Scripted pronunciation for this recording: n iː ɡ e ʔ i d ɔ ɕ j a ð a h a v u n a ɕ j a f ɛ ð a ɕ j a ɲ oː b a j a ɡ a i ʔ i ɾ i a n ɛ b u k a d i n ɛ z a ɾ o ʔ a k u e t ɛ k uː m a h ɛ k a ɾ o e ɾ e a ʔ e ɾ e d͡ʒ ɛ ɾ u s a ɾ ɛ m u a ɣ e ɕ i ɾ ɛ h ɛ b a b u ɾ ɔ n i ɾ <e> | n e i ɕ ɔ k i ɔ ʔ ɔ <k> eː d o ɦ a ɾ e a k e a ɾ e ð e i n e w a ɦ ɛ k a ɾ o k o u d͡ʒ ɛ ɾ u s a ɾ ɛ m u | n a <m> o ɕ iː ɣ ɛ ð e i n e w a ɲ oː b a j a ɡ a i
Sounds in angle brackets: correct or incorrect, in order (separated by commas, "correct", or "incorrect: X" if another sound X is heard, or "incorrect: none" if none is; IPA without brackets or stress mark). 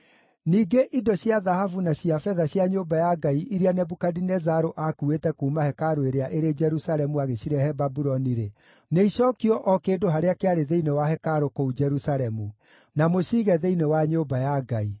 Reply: correct, correct, correct